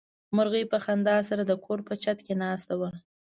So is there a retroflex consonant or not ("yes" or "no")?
no